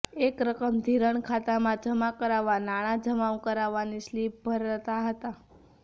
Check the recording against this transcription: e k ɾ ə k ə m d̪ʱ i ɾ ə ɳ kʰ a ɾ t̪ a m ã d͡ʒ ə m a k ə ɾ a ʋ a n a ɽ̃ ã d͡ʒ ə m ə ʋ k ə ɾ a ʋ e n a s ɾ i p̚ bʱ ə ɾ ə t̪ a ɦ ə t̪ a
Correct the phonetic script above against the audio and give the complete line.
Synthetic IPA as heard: e k ɾ ə k ə m d̪ʱ i ɾ ə ɳ kʰ a t̪ a m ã d͡ʒ ə m a k ə ɾ a ʋ a n a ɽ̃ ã d͡ʒ ə m a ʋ k ə ɾ a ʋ a n i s l i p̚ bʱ ə ɾ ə t̪ a ɦ ə t̪ a